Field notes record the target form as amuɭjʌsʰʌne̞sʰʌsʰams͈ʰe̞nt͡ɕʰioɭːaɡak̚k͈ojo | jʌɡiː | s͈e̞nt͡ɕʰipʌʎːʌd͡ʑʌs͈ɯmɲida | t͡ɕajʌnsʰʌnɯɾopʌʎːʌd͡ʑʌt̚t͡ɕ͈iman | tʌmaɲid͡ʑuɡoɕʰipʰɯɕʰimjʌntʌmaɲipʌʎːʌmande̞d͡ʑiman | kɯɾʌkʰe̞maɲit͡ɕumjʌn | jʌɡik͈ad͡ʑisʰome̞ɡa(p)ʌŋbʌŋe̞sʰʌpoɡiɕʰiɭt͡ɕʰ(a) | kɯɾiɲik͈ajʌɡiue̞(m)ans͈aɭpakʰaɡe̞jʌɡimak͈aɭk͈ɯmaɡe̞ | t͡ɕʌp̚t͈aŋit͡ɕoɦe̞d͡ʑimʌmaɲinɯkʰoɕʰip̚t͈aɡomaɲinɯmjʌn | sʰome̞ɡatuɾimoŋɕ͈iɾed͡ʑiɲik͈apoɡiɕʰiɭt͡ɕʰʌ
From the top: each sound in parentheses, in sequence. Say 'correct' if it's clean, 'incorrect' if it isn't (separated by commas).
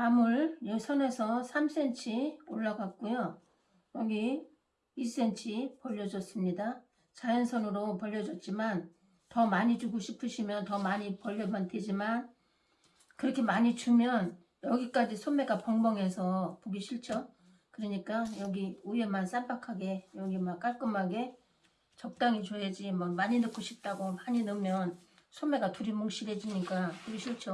correct, incorrect, correct